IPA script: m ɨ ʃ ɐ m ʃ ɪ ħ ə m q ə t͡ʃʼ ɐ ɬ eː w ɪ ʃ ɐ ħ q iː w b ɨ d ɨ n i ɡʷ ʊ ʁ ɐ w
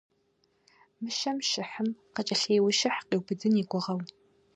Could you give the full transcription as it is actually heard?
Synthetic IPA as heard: m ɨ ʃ ɐ m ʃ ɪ ħ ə m q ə t͡ʃʼ ɐ ɬ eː w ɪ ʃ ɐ ħ q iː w b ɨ d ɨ n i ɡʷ ʊ ʁ ɐ w